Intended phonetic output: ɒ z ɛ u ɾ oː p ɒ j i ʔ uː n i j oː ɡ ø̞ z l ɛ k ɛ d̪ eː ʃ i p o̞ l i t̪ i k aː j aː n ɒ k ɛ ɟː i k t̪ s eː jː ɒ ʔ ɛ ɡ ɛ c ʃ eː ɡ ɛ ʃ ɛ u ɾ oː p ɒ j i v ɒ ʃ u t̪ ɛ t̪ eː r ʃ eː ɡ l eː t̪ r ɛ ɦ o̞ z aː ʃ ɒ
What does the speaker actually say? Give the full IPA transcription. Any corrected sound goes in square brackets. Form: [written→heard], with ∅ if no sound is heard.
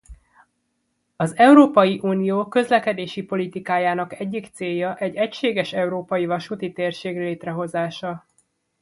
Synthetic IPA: ɒ z ɛ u ɾ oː p ɒ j i ʔ uː n i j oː [ɡ→k] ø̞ z l ɛ k ɛ d̪ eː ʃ i p o̞ l i t̪ i k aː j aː n ɒ k ɛ ɟː i k t̪ s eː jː ɒ ʔ ɛ [ɡ→ɟ] ɛ c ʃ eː ɡ ɛ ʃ ɛ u ɾ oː p ɒ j i v ɒ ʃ u t̪ [ɛ→i] t̪ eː r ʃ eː ɡ l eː t̪ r ɛ ɦ o̞ z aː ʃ ɒ